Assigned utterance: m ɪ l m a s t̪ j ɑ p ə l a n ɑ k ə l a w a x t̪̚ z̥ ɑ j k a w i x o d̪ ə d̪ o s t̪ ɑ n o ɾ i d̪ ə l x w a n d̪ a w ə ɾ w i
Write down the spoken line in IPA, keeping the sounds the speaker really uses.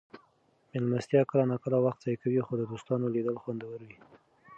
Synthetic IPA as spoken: m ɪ l m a s t̪ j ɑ k ə l a n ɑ k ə l a w a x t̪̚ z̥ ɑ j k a w i x o d̪ ə d̪ o s t̪ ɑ n o l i d̪ ə l x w a n d̪ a w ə ɾ w i